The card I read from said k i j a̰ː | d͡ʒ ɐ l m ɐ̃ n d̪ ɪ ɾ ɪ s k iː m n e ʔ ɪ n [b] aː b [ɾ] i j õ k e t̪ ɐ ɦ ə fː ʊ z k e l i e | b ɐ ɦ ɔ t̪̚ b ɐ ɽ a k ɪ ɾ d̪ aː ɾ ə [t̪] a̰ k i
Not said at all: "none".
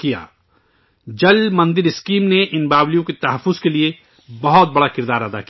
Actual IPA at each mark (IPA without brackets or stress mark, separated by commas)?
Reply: b, l, d̪